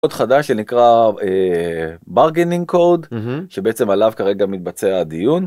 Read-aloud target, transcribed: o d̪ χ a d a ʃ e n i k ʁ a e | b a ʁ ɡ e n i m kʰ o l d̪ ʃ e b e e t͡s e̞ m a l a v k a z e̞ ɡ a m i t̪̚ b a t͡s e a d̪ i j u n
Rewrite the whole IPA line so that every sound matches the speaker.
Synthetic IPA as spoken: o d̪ χ a d a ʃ e n i k ʁ a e | b a ʁ ɡ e n i ŋ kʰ o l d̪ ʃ e b e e t͡s e̞ m a l a v k a ʁ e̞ ɡ a m i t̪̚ b a t͡s e a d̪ i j u n